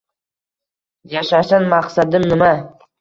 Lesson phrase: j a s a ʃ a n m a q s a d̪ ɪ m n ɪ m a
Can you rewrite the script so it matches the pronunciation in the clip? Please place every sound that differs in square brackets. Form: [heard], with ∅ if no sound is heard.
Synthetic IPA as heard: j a [ʃ] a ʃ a n m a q s a d̪ ɪ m n ɪ m a